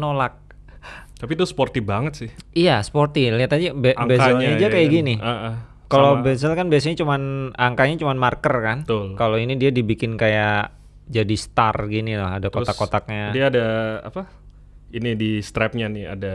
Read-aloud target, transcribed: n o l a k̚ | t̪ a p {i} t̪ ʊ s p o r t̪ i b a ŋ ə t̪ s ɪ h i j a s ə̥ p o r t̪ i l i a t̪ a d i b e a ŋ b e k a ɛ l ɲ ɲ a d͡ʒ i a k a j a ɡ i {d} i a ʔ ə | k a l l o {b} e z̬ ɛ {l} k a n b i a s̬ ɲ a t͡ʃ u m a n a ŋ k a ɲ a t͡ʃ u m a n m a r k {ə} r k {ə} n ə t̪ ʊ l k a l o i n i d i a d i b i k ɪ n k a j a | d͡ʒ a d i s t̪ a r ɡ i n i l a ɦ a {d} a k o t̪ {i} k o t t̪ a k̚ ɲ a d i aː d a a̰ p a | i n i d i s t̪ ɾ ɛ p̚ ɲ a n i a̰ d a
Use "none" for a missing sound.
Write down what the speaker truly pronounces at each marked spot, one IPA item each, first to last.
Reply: i, n, b, l, ə, a, d, a

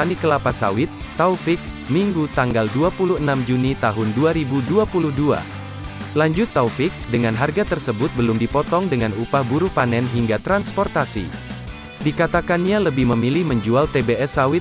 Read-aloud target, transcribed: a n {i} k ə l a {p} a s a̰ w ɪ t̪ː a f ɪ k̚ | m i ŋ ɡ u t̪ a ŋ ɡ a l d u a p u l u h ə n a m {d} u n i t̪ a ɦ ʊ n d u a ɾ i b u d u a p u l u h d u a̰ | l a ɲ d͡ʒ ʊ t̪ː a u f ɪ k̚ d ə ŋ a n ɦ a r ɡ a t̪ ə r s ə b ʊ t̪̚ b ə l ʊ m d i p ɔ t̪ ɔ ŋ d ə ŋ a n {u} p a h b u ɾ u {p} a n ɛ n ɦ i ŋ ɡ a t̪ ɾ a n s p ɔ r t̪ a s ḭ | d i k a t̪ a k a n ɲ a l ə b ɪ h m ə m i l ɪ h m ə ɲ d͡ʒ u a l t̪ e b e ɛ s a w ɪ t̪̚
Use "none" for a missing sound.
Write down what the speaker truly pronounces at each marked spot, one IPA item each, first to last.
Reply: i, p, d͡ʒ, u, p

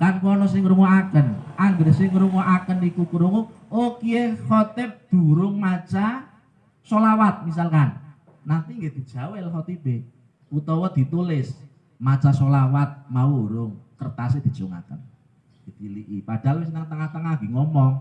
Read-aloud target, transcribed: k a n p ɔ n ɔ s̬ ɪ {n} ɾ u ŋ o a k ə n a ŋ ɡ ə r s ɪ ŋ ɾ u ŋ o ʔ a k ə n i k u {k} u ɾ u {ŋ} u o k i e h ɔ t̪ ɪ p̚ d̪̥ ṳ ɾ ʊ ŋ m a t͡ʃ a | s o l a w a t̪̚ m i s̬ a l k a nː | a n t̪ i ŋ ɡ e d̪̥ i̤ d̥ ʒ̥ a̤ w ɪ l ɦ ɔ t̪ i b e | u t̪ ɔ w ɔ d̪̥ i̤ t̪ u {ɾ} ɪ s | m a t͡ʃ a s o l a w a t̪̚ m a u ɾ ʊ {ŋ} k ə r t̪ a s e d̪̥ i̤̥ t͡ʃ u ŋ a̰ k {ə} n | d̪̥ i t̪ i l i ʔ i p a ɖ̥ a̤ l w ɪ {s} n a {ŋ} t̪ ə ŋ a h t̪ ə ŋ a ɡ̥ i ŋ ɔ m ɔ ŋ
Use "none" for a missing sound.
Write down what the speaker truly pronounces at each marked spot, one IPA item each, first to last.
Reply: ŋ, k, ŋ, l, ŋ, ə, s, ŋ

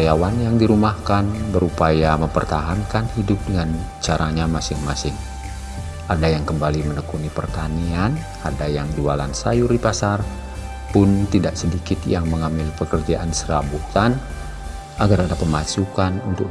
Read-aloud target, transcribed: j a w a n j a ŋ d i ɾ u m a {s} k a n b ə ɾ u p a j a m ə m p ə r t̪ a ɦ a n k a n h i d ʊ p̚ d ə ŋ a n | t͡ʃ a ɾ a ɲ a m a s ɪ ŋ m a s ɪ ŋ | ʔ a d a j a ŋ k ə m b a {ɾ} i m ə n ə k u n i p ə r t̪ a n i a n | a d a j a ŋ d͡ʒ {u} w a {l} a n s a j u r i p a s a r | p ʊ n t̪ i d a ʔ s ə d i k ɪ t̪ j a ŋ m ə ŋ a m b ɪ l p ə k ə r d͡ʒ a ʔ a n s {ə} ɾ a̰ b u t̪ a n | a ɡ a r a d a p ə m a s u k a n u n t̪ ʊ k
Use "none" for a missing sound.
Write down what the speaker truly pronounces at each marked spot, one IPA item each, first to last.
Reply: h, l, u, l, ə

